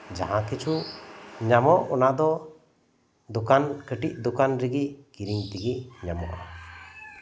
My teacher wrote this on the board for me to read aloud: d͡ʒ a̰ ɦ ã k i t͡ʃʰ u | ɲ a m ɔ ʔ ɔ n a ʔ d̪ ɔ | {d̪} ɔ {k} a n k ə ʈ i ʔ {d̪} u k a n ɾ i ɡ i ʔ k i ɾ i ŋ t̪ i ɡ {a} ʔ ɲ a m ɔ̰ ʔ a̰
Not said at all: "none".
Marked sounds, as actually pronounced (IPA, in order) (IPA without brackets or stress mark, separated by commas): d̪, k, d̪, i